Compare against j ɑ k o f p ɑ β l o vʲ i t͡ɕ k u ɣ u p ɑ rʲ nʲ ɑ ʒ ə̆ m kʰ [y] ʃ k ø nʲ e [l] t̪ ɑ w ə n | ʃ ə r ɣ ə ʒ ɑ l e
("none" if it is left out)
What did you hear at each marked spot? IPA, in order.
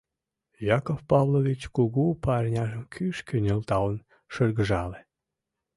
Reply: y, l

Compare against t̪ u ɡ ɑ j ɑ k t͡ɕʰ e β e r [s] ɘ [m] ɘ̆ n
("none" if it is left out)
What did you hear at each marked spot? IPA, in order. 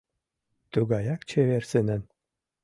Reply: s, n

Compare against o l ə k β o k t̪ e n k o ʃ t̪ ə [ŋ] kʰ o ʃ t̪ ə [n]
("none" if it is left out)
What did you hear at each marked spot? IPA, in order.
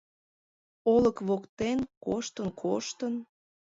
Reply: n, n

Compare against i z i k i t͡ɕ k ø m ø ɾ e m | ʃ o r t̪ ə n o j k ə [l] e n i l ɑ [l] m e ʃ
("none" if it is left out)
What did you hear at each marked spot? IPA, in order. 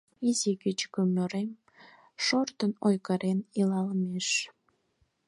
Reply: ɾ, l

